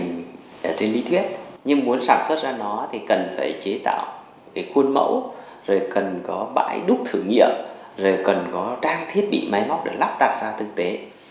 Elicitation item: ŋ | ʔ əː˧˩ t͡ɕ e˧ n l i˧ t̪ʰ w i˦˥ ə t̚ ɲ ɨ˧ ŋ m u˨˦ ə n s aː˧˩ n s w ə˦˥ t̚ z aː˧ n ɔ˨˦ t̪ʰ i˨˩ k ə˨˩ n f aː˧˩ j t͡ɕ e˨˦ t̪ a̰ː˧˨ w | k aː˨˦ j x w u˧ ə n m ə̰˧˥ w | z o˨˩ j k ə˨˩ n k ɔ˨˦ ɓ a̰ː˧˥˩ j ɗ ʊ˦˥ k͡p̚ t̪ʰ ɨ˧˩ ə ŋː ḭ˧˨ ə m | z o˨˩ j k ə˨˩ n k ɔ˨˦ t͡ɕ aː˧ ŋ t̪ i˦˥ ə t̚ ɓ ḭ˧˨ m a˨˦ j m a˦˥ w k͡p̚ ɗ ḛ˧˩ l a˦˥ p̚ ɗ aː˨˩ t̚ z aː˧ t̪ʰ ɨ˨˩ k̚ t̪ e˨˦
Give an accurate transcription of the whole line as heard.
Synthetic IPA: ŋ | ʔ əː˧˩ t͡ɕ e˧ n l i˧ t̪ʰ w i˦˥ ə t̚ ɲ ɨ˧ ŋ m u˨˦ ə n s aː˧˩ n s w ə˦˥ t̚ z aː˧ n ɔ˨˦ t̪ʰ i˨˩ k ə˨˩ n f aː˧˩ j t͡ɕ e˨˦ t̪ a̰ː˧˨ w | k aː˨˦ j x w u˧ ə n m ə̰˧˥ w | z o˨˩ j k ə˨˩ n k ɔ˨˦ ɓ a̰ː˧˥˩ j ɗ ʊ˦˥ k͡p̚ t̪ʰ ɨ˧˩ ə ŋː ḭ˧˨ ə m | z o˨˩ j k ə˨˩ n k ɔ˨˦ t͡ɕ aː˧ ŋ t̪ʰ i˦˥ ə t̚ ɓ ḭ˧˨ m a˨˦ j m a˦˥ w k͡p̚ ɗ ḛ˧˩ l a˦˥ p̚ ɗ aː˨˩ t̚ z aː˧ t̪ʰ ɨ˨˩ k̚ t̪ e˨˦

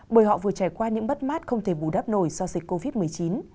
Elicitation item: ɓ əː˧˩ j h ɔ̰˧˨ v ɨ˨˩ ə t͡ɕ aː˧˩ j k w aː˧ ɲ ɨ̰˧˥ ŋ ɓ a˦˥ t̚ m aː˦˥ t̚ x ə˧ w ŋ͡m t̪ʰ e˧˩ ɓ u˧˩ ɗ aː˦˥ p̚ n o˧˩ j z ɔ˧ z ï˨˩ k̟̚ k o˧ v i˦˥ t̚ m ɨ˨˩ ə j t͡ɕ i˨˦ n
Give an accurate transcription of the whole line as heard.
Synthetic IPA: ɓ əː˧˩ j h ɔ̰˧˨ v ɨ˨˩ ə t͡ɕ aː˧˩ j k w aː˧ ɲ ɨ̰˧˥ ŋ ɓ ə˦˥ t̚ m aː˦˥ t̚ x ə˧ w ŋ͡m t̪ʰ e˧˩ ɓ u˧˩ ɗ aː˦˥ p̚ n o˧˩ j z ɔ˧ z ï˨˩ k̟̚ k o˧ v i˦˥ t̚ m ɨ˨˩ ə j t͡ɕ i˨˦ n

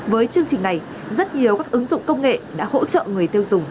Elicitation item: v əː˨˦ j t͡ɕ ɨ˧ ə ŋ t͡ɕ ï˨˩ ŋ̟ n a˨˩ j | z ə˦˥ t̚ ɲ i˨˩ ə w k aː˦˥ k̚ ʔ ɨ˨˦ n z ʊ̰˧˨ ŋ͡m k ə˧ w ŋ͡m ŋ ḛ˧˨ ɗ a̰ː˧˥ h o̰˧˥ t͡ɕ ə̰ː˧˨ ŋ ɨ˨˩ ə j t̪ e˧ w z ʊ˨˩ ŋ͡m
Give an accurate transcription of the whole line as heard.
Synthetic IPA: v əː˨˦ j t͡ɕ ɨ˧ ə ŋ t͡ɕ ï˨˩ ŋ̟ n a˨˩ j | z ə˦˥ t̚ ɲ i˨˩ ə w k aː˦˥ k̚ ʔ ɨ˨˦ ŋ z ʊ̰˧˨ ŋ͡m k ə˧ w ŋ͡m ŋ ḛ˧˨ ɗ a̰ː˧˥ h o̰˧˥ t͡ɕ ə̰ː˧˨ ŋ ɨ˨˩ ə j t̪ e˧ w z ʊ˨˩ ŋ͡m

